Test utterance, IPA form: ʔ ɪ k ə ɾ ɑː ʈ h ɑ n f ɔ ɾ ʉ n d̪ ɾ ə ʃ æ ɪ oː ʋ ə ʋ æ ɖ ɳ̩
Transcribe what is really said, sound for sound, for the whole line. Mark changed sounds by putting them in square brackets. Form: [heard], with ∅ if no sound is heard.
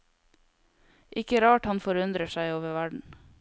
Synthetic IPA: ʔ ɪ k ə ɾ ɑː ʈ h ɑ n f ɔ ɾ ʉ n d̪ ɾ ə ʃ æ ɪ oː ʋ ə ʋ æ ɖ ɳ̩